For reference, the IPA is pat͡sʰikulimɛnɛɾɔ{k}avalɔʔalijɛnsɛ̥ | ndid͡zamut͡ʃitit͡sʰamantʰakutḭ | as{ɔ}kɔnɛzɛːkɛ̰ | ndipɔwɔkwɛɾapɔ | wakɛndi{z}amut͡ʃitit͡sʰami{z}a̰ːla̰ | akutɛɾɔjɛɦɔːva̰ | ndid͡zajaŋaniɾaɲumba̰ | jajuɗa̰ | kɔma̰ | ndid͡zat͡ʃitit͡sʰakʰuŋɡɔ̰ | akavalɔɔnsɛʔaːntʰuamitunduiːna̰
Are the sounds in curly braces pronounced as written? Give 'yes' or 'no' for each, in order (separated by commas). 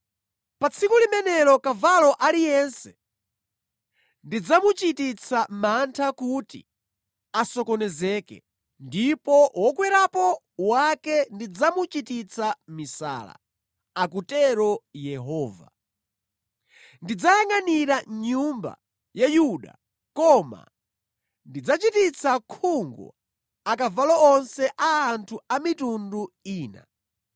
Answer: yes, yes, no, no